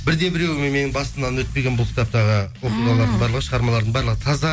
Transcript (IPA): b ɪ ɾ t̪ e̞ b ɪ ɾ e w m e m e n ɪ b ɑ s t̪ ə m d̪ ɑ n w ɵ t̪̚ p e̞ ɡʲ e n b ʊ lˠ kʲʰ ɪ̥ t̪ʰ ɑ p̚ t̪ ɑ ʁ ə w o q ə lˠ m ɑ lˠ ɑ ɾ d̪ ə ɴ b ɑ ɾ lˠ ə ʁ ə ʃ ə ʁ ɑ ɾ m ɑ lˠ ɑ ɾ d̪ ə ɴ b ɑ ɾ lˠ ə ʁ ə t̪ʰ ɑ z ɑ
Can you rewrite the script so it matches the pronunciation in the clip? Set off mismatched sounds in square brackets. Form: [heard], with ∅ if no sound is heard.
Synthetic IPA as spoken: b ɪ ɾ [d̪] e̞ b ɪ ɾ e w m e m e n ɪ b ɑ s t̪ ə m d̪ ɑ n w ɵ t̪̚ p e̞ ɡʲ e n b ʊ lˠ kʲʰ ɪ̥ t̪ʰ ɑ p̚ t̪ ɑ ʁ ə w o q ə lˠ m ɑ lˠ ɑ ɾ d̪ ə ɴ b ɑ ɾ lˠ ə ʁ ə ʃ ə ʁ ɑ ɾ m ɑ lˠ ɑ ɾ d̪ ə ɴ b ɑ ɾ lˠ ə ʁ ə t̪ʰ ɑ z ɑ